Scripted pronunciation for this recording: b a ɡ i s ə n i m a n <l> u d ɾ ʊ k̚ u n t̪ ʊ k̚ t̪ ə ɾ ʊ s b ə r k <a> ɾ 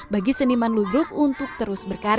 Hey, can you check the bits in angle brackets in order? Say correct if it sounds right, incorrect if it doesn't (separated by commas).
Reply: correct, correct